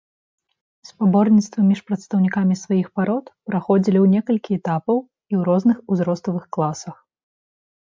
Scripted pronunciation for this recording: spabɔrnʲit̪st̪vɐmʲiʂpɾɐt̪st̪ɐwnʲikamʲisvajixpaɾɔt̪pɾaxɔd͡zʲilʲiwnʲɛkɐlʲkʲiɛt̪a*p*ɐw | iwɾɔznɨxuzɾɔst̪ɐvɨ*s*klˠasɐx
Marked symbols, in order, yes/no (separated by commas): yes, no